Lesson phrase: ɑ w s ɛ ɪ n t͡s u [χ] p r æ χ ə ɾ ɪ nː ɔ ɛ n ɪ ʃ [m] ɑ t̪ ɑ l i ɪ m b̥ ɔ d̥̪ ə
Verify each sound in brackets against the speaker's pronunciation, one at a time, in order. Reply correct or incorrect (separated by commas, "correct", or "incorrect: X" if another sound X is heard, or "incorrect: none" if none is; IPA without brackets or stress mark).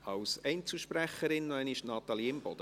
incorrect: ʃ, incorrect: n